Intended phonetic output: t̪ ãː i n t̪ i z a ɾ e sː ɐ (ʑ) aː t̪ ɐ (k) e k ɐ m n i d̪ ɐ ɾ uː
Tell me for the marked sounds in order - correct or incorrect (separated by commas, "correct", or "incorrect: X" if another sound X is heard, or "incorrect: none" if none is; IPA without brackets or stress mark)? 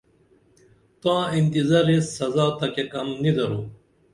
incorrect: z, correct